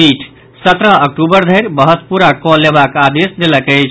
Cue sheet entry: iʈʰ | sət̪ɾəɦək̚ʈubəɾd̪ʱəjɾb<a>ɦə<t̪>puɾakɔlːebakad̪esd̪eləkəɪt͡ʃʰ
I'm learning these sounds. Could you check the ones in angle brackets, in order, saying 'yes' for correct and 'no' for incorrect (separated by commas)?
no, yes